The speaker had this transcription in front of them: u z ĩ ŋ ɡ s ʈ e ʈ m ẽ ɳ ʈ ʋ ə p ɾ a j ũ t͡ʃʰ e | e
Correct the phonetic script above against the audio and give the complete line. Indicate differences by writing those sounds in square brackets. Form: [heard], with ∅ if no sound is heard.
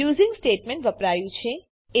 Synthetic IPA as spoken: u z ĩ ŋ ɡ s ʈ e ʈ m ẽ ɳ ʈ ʋ ə p ɾ a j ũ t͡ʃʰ e | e